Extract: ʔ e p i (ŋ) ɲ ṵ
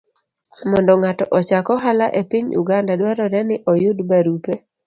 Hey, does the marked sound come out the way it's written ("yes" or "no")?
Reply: no